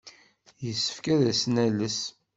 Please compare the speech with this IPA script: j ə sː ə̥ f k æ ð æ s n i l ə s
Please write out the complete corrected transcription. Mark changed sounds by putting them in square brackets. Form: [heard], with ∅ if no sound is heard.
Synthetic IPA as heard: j ə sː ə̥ f k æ ð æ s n [æ] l ə s